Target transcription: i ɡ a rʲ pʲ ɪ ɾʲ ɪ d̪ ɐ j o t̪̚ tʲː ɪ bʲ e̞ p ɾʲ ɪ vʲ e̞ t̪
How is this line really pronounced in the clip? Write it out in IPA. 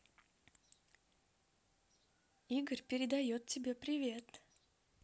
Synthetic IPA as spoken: i ɡ ə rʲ pʲ ɪ ɾʲ ɪ d̪ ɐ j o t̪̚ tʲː ɪ bʲ e̞ p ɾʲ ɪ vʲ e̞ t̪